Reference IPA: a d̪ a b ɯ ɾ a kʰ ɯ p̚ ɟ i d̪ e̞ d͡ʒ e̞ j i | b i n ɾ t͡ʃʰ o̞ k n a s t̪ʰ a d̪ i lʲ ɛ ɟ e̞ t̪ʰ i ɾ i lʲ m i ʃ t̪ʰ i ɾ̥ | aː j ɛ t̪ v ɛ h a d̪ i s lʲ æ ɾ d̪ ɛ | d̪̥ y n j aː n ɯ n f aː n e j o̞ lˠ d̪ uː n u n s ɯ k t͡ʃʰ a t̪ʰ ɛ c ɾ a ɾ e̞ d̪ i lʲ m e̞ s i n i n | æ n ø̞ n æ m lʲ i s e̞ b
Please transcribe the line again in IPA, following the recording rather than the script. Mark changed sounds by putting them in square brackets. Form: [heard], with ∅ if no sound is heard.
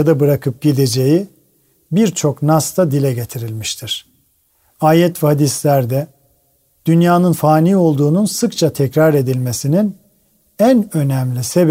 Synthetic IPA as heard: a d̪ a b ɯ ɾ a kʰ ɯ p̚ ɟ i d̪ e̞ d͡ʒ e̞ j i | b i [∅] ɾ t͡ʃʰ o̞ k n a s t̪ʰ a d̪ i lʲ ɛ ɟ e̞ t̪ʰ i ɾ i lʲ m i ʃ t̪ʰ i ɾ̥ | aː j ɛ t̪ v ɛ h a d̪ i s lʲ æ ɾ d̪ ɛ | d̪̥ y n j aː n ɯ n f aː n [i] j o̞ lˠ d̪ uː n u n s ɯ k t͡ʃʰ a t̪ʰ ɛ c ɾ a ɾ e̞ d̪ i lʲ m e̞ s i n i n | æ n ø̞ n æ m lʲ i s e̞ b